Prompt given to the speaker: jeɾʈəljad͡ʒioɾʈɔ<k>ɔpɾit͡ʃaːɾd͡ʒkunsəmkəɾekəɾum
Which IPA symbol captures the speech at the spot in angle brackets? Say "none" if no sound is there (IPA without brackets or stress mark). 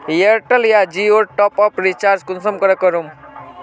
p